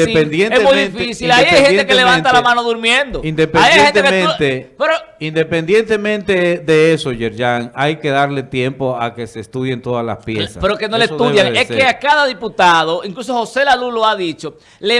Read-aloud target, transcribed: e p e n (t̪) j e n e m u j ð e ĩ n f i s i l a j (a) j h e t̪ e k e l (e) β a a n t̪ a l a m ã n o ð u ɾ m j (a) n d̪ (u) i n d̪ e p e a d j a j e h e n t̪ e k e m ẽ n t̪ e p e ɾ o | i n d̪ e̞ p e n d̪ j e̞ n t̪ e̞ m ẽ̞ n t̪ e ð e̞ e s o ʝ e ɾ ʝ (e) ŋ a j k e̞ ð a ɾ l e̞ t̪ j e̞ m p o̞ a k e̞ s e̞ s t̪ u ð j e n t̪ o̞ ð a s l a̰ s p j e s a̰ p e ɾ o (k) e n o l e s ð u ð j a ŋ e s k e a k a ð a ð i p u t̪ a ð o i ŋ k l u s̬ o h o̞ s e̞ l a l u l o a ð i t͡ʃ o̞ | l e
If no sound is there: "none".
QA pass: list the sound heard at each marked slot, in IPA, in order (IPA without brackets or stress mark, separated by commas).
d̪, a, e, e, o, a, k